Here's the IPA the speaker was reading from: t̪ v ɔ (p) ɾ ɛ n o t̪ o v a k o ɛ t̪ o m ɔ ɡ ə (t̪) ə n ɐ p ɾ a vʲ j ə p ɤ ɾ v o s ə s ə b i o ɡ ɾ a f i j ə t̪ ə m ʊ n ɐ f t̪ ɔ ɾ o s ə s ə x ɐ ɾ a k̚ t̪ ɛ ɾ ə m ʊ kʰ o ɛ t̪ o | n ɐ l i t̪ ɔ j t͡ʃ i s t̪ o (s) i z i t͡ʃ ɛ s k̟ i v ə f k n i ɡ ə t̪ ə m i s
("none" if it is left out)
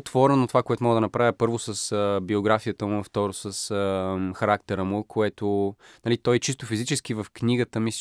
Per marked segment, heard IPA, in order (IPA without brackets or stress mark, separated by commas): none, d̪, f